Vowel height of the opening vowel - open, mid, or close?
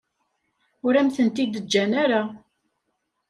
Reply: close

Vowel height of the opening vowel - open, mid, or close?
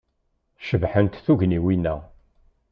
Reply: mid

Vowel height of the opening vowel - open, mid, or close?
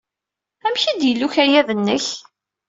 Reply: open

